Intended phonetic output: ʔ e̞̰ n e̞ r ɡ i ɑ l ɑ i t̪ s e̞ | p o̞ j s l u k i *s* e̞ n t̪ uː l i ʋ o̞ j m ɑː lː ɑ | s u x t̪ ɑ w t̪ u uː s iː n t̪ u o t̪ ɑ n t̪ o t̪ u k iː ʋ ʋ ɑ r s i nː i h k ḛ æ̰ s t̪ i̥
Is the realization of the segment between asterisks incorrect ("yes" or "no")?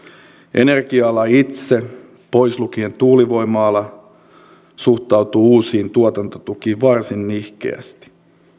yes